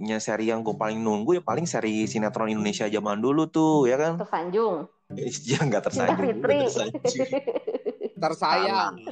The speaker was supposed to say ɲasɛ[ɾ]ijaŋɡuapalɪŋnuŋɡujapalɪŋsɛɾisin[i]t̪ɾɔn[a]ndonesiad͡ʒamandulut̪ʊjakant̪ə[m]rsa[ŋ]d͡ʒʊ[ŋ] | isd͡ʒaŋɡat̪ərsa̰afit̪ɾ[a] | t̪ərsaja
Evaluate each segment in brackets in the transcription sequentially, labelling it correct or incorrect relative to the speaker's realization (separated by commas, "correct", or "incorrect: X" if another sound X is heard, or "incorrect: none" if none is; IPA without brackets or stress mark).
correct, incorrect: a, incorrect: i, incorrect: none, incorrect: ɲ, correct, incorrect: i